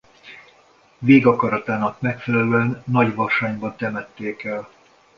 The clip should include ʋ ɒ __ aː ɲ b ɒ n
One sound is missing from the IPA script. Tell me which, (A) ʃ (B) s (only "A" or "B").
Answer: A